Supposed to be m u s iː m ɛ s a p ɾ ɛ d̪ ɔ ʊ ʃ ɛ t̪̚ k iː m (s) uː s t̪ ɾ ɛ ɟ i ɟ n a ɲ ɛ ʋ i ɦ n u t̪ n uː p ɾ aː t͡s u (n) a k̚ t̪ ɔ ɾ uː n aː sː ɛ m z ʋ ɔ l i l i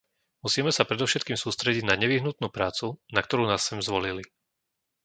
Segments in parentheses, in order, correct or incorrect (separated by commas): correct, correct